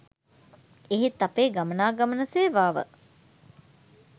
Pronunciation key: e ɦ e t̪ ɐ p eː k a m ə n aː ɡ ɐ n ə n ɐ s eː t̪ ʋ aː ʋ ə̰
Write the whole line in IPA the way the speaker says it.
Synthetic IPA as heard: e ɦ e t̪ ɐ p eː ɡ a m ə n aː ɡ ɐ m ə n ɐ s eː ʋ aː ʋ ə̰